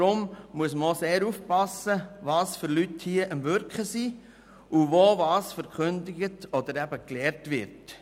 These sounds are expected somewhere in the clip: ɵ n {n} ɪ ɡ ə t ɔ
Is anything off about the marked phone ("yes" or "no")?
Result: yes